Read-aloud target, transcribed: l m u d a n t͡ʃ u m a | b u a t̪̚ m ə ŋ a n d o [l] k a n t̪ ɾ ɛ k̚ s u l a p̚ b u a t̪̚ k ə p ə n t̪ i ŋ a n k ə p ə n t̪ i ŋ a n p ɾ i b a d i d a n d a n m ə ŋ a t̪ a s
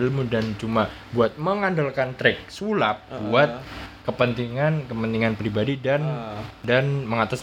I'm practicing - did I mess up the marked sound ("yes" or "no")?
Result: no